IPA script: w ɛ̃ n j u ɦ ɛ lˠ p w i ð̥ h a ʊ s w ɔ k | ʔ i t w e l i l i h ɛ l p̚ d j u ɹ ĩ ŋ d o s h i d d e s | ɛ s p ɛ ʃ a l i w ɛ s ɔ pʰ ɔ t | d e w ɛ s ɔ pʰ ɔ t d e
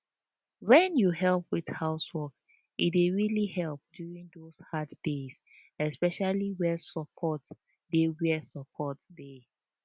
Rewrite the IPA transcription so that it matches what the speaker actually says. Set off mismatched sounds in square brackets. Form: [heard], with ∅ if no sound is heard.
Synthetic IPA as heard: w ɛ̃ n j u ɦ ɛ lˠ p w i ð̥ h a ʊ s w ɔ k | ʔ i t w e [ɹ] i l i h ɛ l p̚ d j u ɹ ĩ ŋ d o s h [a] d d e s | ɛ s p ɛ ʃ a l i w ɛ s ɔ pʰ ɔ t | d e w ɛ s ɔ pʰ ɔ t d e